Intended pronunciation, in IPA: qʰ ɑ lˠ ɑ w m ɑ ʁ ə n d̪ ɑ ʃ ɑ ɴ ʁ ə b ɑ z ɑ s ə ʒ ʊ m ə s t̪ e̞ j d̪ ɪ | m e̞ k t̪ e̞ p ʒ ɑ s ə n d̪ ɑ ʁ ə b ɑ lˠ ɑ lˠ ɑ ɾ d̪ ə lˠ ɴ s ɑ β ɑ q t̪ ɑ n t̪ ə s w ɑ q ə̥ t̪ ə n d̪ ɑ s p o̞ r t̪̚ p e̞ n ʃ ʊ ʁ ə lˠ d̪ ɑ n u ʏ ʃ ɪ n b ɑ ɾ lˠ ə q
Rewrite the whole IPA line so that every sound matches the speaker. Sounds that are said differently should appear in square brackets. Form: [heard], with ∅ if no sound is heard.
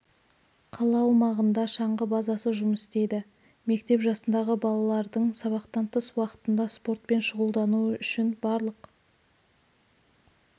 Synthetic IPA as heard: qʰ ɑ lˠ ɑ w m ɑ ʁ ə n d̪ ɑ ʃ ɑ ɴ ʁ ə b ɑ z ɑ s ə ʒ ʊ m ə s t̪ e̞ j d̪ ɪ | m e̞ k t̪ e̞ p ʒ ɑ s ə n d̪ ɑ ʁ ə b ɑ lˠ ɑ lˠ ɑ ɾ d̪ ə [∅] ɴ s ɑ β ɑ q t̪ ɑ n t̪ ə s w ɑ q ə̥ t̪ ə n d̪ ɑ s p o̞ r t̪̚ p e̞ n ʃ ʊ ʁ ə lˠ d̪ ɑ n u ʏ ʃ ɪ n b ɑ ɾ lˠ ə q